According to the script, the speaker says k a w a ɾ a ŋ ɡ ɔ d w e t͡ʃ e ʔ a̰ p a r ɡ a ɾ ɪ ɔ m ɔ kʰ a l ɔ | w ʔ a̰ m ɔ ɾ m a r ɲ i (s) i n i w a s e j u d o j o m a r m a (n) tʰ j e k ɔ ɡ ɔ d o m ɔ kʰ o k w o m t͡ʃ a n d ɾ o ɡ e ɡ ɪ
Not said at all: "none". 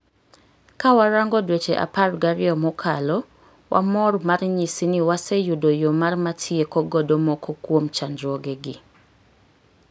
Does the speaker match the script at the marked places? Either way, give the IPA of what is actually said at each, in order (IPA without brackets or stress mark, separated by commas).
s, none